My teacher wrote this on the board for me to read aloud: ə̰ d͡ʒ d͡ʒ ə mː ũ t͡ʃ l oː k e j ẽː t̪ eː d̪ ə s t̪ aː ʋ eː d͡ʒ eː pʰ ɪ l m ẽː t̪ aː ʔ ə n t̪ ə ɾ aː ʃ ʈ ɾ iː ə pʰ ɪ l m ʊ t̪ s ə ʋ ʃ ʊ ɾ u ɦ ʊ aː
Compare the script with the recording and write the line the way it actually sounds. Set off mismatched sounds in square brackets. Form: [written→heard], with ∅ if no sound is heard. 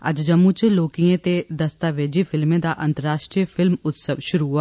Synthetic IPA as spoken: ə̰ d͡ʒ d͡ʒ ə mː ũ t͡ʃ l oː k [e→i] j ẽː t̪ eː d̪ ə s t̪ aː ʋ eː d͡ʒ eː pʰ ɪ l m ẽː [t̪→d̪] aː ʔ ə n t̪ ə ɾ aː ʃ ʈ ɾ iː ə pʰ ɪ l m ʊ t̪ s ə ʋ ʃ ʊ ɾ u ɦ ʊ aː